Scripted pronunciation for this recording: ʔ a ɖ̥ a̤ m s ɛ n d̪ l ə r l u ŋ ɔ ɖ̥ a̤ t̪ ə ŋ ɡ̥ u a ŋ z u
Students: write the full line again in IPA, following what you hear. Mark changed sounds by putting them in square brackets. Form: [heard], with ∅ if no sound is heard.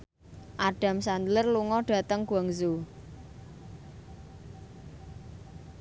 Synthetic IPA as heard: ʔ a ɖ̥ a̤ m s [a] n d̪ l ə r l u ŋ ɔ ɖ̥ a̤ t̪ ə ŋ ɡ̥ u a ŋ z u